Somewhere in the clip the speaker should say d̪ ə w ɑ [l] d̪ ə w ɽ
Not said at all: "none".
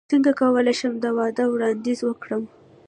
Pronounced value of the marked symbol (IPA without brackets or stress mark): none